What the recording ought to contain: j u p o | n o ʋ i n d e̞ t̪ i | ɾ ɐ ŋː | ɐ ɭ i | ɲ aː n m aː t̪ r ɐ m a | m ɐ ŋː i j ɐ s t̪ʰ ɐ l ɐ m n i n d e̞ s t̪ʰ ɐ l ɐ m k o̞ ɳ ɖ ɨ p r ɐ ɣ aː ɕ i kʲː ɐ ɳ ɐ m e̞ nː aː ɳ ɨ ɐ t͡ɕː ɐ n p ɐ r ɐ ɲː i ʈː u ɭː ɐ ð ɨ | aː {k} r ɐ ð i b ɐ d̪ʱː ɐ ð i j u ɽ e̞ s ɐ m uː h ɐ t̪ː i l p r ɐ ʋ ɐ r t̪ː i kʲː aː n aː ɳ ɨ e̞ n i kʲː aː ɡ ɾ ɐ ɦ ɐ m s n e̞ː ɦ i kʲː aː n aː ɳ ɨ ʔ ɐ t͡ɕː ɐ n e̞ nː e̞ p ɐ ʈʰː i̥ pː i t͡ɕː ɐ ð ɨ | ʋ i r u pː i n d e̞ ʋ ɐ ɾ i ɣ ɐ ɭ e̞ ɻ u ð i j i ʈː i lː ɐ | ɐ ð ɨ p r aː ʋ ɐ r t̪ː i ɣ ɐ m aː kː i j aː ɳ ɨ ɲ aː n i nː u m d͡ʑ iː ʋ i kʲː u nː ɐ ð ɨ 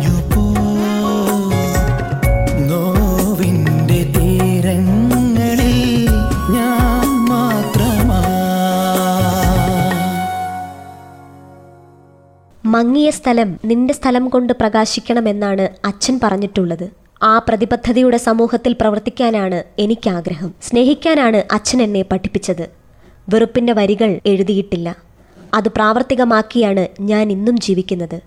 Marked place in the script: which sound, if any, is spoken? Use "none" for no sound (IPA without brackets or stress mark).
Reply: p